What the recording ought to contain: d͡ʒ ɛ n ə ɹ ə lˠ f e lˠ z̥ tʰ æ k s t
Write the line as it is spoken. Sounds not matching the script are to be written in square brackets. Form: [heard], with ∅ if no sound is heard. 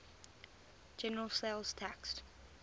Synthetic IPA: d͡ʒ ɛ n ə ɹ ə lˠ [s] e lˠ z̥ tʰ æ k s t